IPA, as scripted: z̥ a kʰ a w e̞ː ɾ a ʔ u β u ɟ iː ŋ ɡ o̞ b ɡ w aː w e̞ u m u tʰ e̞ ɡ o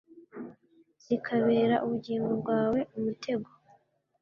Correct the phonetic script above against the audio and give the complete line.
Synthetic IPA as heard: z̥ i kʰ a β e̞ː ɾ a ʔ u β u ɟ iː ŋ ɡ o̞ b ɡ w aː w e̞ u m u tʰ e̞ ɡ o